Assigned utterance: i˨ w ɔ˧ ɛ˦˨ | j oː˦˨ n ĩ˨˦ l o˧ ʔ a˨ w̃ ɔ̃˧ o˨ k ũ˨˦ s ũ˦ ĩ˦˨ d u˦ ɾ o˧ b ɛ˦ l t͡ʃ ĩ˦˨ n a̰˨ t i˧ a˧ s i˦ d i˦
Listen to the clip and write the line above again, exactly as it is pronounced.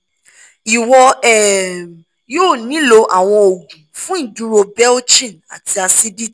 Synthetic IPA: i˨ w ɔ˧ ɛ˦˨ | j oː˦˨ n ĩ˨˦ l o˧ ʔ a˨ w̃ ɔ̃˧ o˨ ɡ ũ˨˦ f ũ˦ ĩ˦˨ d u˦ ɾ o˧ b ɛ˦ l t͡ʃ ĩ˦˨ n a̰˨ t i˧ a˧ s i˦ d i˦

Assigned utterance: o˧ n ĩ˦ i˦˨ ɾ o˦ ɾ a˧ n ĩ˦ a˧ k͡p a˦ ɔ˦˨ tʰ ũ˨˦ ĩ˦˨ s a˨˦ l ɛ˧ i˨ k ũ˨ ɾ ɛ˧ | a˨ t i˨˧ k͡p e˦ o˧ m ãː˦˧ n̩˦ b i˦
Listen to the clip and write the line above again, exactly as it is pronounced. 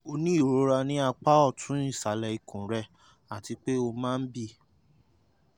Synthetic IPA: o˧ n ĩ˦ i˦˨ ɾ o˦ ɾ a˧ n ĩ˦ a˧ k͡p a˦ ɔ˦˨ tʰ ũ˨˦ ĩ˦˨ s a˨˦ l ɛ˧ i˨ k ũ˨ ɾ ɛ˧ | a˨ t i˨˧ k͡p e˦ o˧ m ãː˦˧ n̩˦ b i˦

